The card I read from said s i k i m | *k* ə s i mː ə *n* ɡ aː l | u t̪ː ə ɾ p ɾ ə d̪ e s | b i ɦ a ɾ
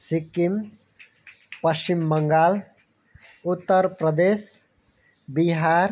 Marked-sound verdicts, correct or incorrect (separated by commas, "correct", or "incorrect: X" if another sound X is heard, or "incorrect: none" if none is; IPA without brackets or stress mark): incorrect: p, incorrect: ŋ